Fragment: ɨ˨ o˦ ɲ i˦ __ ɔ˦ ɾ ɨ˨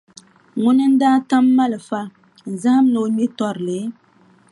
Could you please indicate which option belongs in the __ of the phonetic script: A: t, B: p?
A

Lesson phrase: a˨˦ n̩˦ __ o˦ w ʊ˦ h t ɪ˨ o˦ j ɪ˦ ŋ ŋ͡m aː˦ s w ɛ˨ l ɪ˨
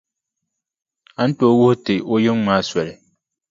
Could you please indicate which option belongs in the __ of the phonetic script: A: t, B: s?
A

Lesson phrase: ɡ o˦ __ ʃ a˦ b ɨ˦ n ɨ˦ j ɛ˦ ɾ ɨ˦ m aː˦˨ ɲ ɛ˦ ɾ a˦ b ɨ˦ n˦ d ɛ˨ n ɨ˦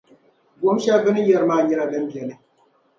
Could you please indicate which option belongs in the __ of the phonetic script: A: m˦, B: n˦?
A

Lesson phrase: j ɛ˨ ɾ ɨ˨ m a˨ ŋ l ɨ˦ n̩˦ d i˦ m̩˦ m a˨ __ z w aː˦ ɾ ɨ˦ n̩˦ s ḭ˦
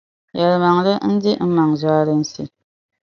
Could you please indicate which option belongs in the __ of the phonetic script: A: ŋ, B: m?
A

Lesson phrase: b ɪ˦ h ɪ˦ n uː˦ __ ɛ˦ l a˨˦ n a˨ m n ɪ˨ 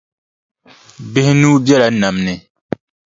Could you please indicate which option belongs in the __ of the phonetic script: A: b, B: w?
A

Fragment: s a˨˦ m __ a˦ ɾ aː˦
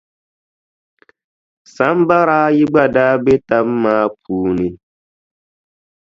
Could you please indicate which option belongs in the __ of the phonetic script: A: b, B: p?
A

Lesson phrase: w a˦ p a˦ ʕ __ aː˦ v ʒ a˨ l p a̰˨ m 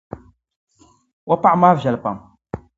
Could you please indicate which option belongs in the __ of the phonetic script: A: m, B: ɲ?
A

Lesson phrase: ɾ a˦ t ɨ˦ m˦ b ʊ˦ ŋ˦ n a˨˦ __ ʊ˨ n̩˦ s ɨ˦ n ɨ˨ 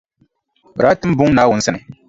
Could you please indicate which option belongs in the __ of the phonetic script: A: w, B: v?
A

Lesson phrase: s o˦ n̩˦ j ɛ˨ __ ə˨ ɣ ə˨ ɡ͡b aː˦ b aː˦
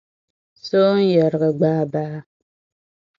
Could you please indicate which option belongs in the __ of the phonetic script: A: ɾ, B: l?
A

